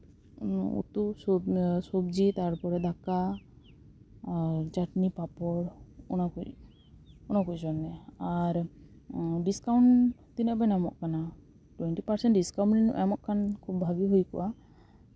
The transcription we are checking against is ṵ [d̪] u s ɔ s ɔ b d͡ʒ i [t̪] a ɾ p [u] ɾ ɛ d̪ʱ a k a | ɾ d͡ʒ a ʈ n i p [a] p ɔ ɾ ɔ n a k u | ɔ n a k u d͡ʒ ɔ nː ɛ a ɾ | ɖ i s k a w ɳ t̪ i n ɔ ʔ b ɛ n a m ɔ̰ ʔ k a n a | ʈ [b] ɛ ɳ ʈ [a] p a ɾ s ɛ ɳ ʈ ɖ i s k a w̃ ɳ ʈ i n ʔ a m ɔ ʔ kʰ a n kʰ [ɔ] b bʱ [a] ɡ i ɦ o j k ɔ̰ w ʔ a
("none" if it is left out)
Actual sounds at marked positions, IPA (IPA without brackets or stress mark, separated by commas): t̪, t̪, ɔ, a, w, i, u, a